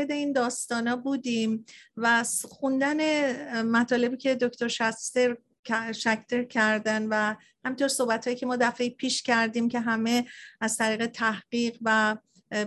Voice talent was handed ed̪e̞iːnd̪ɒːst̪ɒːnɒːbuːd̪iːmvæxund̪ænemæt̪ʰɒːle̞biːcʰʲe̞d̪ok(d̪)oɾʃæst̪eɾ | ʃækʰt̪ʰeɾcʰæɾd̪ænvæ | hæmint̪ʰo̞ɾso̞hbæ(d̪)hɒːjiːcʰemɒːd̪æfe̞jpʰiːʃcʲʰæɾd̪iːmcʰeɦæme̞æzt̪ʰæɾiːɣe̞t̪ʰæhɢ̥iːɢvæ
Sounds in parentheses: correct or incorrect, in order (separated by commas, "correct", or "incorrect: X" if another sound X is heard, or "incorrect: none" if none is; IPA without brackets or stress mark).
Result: incorrect: t̪, incorrect: t̪